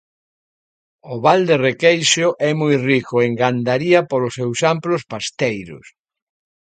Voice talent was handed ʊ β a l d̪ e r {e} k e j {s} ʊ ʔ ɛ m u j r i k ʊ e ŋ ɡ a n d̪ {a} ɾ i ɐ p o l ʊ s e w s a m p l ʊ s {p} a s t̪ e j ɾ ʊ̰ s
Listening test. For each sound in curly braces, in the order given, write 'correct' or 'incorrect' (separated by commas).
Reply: correct, incorrect, correct, correct